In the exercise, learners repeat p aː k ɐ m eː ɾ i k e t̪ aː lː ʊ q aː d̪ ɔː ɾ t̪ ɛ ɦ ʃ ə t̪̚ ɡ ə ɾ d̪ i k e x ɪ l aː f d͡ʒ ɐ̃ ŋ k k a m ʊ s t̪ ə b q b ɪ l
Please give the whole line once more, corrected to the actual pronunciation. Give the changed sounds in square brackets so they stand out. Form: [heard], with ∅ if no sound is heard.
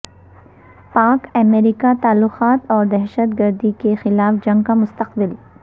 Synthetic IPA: p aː k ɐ m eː ɾ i k [a] t̪ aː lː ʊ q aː [t̪] ɔː ɾ [d̪] ɛ ɦ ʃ ə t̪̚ ɡ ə ɾ d̪ i k e x ɪ l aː f d͡ʒ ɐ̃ ŋ [ɡ] k a m ʊ s t̪ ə [∅] q b ɪ l